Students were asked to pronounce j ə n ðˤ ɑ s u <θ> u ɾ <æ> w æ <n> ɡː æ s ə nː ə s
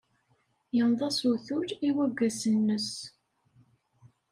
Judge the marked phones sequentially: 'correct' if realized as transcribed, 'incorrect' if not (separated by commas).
correct, incorrect, incorrect